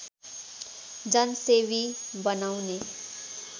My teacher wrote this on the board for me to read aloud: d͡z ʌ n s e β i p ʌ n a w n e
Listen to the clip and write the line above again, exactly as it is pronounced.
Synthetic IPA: d͡z ʌ n s e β i b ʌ n a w n e